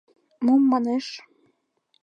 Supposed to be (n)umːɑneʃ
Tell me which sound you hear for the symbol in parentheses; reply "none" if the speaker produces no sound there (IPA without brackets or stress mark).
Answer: m